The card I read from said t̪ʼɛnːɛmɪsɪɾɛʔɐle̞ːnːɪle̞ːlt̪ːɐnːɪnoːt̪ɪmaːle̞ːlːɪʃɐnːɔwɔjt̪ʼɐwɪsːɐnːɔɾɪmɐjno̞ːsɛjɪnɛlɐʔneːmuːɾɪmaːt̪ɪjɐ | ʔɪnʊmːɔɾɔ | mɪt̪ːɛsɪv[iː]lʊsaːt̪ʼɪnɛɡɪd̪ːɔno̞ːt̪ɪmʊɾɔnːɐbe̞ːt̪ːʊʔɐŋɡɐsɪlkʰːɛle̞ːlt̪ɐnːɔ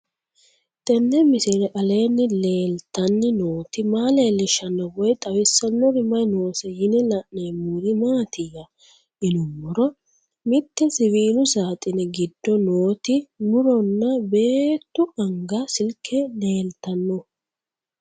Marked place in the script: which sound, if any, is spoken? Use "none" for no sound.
iː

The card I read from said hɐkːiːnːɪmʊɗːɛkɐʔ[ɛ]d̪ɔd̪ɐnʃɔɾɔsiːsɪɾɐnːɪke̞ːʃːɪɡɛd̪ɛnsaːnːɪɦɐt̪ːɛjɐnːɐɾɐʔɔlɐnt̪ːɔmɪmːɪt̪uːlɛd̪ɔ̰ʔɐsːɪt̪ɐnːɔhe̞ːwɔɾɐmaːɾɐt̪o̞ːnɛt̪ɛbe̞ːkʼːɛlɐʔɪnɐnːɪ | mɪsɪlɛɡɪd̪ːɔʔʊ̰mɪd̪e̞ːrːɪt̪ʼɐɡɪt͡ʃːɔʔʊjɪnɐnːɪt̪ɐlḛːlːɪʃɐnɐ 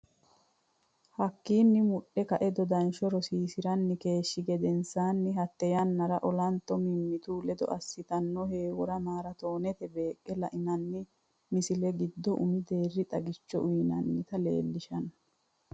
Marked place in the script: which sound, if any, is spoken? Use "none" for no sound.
ɛ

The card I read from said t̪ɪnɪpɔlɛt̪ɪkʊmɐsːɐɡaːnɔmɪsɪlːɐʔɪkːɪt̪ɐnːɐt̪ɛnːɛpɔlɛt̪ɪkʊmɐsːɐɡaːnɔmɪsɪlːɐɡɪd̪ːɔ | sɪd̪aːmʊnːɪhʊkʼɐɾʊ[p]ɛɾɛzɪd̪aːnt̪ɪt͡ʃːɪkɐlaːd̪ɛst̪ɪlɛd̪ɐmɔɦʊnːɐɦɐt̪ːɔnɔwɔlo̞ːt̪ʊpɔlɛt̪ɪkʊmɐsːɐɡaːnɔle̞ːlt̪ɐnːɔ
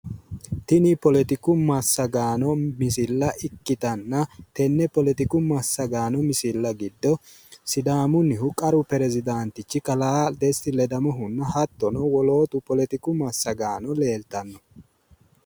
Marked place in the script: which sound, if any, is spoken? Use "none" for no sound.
p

